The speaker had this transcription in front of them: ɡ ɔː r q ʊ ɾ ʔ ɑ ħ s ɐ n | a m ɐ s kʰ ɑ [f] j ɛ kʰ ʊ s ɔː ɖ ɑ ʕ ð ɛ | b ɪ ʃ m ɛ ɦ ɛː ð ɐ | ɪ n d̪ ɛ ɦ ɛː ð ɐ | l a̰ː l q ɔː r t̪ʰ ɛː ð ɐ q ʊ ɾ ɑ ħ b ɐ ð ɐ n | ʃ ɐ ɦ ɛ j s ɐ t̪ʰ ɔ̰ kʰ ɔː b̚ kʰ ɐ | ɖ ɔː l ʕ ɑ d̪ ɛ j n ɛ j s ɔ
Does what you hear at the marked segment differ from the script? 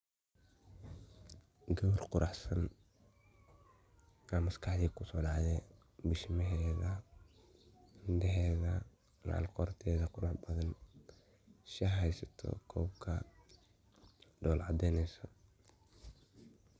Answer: yes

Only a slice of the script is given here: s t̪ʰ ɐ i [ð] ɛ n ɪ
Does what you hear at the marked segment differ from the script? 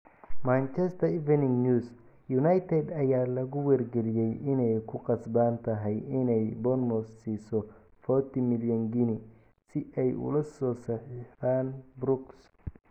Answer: yes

